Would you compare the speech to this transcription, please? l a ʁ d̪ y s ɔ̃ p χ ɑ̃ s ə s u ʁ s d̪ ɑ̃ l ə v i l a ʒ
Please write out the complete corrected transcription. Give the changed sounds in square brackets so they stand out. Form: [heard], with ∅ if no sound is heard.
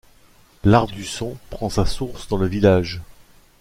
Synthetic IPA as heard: l a ʁ d̪ y s ɔ̃ p χ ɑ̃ s [a] s u ʁ s d̪ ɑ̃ l ə v i l a ʒ